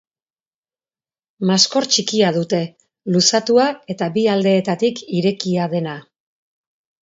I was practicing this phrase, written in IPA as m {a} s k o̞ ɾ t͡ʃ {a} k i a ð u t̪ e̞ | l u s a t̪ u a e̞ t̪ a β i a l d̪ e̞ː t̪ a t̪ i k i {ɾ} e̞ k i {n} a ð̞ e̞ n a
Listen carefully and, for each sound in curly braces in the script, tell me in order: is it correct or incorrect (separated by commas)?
correct, incorrect, correct, incorrect